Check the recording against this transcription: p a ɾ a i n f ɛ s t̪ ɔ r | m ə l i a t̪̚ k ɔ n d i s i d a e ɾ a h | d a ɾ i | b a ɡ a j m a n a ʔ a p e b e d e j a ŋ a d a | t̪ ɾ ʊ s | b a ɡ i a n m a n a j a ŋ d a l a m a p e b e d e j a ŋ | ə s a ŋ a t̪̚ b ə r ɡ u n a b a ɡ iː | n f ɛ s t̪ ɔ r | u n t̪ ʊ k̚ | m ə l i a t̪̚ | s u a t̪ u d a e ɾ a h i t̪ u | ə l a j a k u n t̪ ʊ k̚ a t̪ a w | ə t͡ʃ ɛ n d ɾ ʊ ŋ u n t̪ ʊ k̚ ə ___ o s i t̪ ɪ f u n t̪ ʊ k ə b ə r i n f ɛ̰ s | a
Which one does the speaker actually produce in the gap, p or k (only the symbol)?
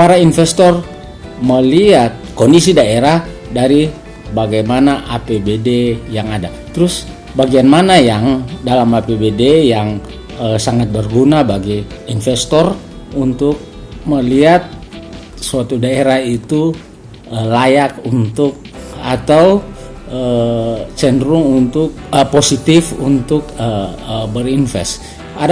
p